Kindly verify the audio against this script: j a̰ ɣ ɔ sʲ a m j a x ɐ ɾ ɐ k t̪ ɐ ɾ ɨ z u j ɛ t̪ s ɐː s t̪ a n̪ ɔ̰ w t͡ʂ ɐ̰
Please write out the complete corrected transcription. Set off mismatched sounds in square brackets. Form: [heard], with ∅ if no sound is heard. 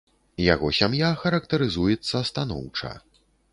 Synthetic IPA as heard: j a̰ ɣ ɔ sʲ a m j a x ɐ ɾ ɐ k t̪ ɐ ɾ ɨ z u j ɛ t̪ [sː] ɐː s t̪ a n̪ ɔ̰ w t͡ʂ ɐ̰